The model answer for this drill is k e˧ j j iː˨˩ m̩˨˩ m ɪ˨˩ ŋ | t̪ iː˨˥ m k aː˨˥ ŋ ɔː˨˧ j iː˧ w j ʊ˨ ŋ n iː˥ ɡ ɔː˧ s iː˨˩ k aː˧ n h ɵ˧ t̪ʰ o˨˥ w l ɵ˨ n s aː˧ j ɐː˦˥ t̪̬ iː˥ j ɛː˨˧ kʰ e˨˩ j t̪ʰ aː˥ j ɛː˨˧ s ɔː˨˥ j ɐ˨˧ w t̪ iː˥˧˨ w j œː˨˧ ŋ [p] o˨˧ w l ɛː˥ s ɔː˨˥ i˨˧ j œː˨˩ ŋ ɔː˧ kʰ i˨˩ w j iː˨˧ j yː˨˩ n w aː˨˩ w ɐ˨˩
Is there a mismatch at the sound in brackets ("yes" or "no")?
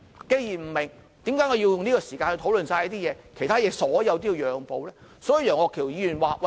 no